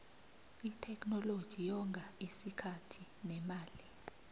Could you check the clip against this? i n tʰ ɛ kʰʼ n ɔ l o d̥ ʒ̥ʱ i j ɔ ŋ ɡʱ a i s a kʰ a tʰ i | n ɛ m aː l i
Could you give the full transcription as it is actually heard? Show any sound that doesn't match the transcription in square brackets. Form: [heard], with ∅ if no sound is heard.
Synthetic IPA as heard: i [∅] tʰ ɛ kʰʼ n ɔ l o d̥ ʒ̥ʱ i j ɔ ŋ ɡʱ a i s [i] kʰ a tʰ i | n ɛ m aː l i